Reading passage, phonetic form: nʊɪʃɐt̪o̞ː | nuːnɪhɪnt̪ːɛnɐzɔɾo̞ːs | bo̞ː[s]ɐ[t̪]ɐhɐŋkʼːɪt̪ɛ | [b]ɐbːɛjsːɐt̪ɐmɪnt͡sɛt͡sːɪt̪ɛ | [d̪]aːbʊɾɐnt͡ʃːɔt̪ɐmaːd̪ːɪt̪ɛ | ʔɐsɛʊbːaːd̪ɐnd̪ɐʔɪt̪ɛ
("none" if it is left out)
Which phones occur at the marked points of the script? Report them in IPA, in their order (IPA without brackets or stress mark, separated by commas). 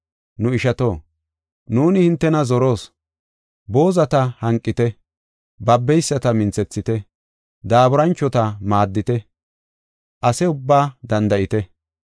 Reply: z, t̪, b, d̪